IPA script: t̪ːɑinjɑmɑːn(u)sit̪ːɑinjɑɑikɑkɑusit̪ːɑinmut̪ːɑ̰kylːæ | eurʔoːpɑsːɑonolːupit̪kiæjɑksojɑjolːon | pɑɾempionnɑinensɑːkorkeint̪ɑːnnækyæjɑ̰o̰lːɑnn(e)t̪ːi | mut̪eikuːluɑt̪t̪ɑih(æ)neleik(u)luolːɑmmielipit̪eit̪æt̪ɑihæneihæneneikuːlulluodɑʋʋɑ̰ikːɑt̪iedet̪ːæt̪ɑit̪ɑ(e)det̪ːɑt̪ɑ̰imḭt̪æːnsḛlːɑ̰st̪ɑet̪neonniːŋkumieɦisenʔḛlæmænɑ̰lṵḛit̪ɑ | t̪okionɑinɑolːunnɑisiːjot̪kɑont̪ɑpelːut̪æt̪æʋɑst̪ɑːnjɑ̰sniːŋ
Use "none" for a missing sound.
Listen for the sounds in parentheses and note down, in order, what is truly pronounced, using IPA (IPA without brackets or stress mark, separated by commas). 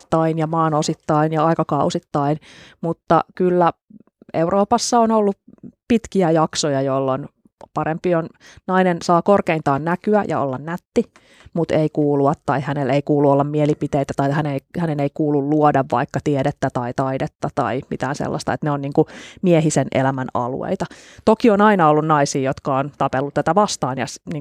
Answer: o, æ, æ, uː, i